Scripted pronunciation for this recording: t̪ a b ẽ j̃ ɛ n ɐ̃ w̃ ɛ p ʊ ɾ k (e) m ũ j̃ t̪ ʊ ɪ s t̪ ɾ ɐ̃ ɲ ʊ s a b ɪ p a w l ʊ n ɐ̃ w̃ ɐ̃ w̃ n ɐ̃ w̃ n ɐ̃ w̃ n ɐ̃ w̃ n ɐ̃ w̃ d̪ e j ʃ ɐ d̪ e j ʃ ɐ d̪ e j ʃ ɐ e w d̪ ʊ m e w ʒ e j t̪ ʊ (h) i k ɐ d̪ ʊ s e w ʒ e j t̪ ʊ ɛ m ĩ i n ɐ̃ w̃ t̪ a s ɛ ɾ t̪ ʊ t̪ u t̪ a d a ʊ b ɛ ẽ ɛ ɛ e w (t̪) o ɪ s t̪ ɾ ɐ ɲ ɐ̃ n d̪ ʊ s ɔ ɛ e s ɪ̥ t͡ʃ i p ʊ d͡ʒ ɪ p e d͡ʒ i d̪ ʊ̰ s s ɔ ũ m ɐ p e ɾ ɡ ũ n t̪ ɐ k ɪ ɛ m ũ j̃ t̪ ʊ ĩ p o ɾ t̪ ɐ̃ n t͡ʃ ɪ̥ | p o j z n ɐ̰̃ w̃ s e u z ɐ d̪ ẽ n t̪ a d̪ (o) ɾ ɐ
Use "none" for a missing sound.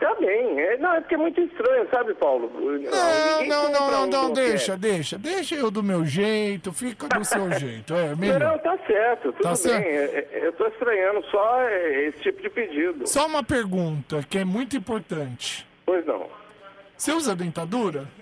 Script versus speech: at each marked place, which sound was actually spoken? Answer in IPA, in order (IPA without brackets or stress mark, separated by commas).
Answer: ɛ, f, t̪, u